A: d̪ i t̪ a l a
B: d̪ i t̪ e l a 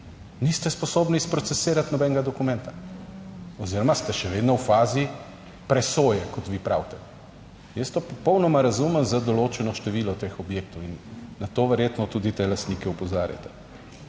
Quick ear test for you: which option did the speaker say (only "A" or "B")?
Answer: B